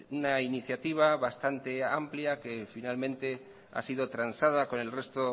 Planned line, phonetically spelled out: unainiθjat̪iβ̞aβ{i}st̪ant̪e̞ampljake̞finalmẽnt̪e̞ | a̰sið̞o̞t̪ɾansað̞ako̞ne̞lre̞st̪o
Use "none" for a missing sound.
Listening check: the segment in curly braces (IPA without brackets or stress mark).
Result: a